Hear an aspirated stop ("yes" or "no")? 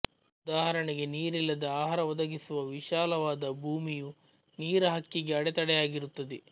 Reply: no